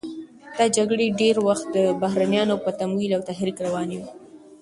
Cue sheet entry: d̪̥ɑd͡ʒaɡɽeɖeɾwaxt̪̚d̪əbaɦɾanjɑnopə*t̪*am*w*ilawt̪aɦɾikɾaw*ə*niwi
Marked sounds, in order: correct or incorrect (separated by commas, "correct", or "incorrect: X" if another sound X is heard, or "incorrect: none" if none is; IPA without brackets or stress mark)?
correct, correct, incorrect: ɑ